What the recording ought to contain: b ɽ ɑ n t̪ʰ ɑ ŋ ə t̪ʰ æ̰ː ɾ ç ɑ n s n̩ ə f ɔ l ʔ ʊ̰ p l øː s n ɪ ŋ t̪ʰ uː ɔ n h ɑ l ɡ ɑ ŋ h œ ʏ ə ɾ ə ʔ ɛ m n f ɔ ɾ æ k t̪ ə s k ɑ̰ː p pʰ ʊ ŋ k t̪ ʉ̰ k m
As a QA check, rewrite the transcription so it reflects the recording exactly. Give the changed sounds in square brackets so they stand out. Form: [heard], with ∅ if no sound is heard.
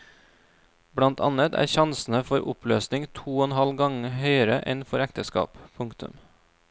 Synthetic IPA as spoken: b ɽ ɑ n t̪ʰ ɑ [n] ə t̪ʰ æ̰ː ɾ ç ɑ n s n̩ ə f ɔ [ɾ] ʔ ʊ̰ p l øː s n ɪ ŋ t̪ʰ uː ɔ n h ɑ l ɡ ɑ ŋ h œ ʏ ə ɾ ə ʔ ɛ [∅] n f ɔ ɾ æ k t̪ ə s k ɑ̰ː p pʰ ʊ ŋ k t̪ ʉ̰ [∅] m